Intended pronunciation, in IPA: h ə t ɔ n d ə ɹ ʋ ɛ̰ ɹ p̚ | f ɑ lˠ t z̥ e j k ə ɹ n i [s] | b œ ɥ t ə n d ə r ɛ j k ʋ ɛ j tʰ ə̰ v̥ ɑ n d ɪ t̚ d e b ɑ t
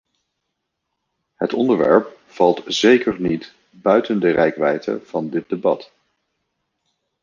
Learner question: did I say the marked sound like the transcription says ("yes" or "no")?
no